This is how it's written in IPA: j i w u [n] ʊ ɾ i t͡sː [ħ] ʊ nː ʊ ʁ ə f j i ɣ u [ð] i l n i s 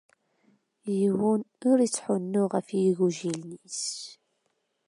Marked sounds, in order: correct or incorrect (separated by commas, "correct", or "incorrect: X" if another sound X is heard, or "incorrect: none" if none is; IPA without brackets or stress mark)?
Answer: correct, correct, incorrect: ʒ